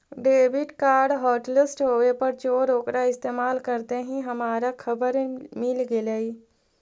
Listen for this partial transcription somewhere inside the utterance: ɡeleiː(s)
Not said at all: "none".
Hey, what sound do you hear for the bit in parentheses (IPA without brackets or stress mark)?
none